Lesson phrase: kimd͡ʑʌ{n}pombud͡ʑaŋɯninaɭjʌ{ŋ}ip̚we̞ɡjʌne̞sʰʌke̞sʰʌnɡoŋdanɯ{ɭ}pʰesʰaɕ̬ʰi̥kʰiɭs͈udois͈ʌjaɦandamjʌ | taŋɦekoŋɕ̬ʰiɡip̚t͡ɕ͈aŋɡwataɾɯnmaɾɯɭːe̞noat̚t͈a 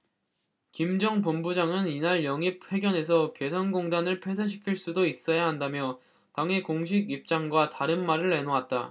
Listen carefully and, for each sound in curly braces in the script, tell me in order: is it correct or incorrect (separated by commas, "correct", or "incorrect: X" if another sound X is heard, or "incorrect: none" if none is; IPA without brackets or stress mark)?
incorrect: ŋ, correct, correct